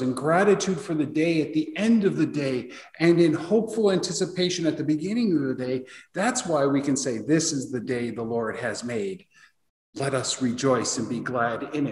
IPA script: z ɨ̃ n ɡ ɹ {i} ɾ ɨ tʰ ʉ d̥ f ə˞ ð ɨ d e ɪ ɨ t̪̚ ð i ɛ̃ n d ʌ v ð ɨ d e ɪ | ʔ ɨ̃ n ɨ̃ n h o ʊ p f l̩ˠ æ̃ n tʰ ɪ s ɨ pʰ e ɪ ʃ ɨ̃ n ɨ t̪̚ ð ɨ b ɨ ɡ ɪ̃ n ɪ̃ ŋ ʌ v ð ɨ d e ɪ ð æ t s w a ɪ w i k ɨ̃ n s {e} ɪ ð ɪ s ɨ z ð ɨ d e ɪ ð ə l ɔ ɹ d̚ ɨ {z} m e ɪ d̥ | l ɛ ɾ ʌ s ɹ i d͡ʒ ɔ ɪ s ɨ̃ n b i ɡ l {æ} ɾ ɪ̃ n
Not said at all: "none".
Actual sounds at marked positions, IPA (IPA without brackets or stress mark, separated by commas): æ, e, z, æ